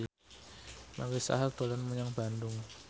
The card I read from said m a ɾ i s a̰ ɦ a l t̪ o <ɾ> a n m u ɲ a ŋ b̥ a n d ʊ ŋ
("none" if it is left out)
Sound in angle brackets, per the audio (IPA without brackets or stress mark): l